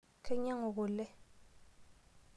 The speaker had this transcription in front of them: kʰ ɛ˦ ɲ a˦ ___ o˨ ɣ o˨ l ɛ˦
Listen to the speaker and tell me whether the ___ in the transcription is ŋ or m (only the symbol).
ŋ